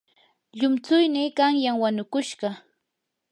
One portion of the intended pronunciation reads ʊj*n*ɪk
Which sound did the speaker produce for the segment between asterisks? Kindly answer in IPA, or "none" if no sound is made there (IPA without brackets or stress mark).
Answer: n